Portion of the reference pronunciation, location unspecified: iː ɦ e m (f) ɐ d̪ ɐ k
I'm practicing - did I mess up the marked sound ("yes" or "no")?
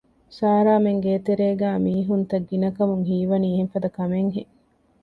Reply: no